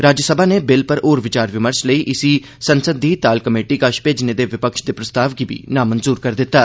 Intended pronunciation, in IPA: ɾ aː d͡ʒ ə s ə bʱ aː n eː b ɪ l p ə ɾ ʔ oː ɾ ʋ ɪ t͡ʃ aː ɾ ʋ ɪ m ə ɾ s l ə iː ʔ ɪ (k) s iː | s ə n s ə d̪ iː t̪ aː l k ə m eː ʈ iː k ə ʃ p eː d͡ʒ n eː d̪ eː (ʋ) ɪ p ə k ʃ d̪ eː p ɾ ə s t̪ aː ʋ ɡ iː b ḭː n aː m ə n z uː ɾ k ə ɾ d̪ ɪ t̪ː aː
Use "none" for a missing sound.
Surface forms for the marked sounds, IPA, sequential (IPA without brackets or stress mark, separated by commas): none, ʋ